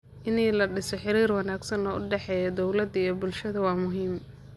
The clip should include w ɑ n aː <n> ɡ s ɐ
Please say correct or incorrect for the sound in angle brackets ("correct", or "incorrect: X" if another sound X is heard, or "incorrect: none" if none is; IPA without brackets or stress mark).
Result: incorrect: none